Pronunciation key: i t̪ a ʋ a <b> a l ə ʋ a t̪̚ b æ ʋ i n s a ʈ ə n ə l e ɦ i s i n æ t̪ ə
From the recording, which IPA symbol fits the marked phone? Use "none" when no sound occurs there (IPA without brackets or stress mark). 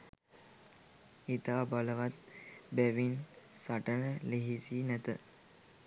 b